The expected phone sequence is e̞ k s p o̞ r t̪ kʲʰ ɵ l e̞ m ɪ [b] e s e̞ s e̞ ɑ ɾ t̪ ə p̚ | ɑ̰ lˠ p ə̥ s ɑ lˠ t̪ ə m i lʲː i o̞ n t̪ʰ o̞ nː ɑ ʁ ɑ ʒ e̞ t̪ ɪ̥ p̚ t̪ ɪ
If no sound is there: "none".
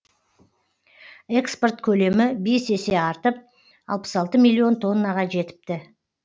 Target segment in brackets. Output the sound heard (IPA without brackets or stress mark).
b